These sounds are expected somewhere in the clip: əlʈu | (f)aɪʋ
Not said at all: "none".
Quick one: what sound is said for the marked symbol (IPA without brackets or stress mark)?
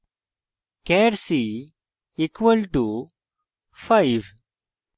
f